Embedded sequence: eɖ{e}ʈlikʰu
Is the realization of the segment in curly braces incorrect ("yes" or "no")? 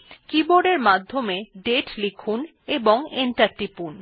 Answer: no